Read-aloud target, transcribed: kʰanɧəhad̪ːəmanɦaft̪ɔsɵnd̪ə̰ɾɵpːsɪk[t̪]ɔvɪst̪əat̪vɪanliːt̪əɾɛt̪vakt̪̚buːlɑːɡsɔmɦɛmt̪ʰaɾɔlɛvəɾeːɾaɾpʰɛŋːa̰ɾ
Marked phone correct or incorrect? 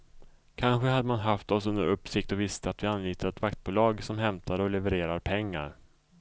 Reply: correct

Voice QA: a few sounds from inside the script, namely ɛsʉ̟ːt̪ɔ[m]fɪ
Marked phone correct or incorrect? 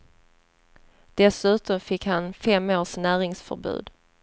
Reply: correct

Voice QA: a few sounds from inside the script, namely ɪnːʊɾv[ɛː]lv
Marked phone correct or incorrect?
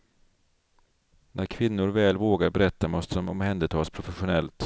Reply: correct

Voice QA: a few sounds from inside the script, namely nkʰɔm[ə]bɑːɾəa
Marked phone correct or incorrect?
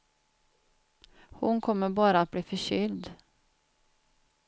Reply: correct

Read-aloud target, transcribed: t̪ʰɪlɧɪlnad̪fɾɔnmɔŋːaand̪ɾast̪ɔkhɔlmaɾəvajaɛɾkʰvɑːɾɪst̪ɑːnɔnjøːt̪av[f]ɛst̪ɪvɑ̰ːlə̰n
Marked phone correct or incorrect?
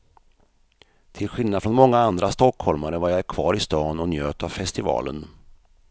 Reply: correct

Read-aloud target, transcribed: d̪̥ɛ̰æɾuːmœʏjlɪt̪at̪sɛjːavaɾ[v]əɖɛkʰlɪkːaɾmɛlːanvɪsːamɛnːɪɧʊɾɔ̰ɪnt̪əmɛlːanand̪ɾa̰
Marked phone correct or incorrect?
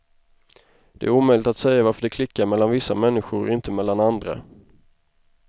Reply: incorrect: f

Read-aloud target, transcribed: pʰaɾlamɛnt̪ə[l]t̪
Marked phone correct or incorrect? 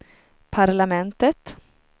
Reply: incorrect: none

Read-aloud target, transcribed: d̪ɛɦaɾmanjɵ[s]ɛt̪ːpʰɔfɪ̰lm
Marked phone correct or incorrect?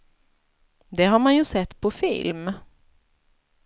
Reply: correct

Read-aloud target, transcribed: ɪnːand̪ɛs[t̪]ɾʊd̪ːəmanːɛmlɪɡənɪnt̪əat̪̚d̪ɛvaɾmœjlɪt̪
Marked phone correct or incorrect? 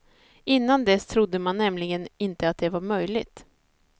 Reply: incorrect: t̪ʰ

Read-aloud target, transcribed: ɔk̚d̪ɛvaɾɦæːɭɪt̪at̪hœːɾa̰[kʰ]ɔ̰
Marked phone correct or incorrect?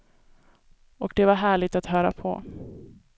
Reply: incorrect: pʰ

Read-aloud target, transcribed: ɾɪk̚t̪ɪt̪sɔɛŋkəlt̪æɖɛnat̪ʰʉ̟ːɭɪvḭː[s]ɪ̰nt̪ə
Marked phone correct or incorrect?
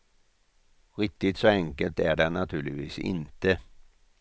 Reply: correct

